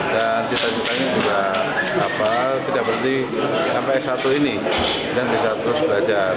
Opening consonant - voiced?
yes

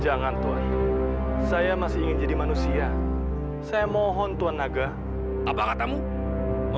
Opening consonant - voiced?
yes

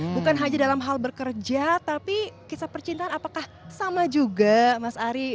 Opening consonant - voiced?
yes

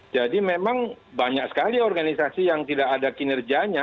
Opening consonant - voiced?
yes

